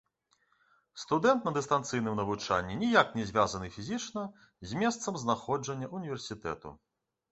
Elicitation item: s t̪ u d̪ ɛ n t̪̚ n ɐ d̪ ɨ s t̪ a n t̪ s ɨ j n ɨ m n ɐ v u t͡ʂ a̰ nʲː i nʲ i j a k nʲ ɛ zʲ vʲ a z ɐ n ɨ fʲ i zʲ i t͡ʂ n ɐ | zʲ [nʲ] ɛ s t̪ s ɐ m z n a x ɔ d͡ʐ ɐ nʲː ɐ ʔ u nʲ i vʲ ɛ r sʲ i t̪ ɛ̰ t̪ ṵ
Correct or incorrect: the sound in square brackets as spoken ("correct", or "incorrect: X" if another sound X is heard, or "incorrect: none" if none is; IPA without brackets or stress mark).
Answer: incorrect: mʲ